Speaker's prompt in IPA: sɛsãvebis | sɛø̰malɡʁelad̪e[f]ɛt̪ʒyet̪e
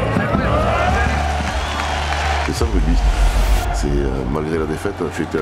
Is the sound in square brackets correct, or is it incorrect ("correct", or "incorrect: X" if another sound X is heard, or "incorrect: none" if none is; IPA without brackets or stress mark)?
correct